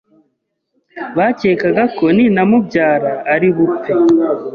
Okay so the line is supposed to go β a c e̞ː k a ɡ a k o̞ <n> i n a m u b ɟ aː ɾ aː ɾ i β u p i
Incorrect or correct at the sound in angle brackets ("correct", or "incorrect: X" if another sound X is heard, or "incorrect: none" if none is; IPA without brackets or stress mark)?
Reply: correct